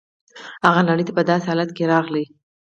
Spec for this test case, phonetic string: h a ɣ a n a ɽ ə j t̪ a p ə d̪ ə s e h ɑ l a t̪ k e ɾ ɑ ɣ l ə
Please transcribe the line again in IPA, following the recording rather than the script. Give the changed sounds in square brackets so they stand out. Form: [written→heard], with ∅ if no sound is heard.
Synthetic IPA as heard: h a ɣ a n a ɽ ə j t̪ a p ə d̪ [ə→ɑ] s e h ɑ l a t̪ k e ɾ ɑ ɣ l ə